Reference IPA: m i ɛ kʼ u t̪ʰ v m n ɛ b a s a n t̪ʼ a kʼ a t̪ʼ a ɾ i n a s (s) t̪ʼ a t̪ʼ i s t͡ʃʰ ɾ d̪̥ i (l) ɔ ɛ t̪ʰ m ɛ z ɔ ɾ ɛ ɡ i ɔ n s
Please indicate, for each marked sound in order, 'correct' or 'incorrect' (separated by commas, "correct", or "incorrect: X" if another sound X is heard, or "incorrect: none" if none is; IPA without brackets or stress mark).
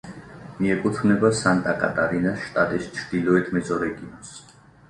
incorrect: ʃ, correct